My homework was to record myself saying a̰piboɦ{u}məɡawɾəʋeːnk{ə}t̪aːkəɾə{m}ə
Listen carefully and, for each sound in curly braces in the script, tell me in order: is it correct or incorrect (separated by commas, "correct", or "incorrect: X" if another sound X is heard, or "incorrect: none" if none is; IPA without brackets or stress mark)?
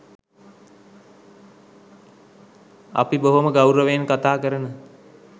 incorrect: o, incorrect: a, incorrect: n